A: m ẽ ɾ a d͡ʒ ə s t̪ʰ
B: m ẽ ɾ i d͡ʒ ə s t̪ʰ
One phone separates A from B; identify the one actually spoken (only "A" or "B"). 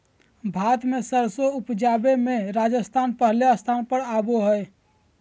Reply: A